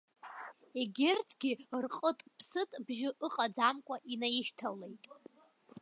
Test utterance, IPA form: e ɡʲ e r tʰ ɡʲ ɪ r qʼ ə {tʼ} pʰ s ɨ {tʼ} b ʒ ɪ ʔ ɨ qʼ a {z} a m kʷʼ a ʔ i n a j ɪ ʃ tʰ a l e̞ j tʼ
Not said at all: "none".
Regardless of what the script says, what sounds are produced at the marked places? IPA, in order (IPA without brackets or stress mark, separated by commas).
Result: tʼ, tʼ, d͡z